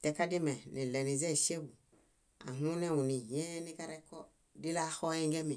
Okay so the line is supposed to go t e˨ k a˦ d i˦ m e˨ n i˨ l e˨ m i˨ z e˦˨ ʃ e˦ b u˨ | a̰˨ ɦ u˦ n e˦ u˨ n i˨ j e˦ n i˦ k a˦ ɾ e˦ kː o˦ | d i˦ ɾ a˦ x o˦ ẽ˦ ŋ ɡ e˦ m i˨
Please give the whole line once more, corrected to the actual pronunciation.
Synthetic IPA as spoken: t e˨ k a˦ d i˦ m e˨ n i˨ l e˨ n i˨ z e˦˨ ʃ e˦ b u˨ | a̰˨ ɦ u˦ n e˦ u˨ n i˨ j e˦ n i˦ k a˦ ɾ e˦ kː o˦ | d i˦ l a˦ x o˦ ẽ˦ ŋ ɡ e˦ m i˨